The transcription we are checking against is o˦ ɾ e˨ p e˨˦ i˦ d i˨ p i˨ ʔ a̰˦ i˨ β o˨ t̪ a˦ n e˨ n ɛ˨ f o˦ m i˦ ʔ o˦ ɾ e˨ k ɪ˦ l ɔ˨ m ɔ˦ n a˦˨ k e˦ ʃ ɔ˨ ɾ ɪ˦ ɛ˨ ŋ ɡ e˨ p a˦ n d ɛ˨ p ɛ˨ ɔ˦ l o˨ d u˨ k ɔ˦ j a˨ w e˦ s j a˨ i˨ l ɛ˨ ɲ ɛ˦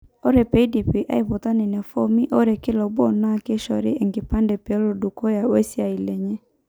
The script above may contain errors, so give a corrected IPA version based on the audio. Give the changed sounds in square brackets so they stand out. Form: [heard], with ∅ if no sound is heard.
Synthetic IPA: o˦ ɾ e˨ p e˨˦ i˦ d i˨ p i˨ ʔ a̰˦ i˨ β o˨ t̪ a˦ n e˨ n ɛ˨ f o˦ m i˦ ʔ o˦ ɾ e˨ k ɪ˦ l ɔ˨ [b] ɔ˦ n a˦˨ k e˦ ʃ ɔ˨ ɾ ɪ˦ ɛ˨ ŋ ɡ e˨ p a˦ n d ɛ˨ p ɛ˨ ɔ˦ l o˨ d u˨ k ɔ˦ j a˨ w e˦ s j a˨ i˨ l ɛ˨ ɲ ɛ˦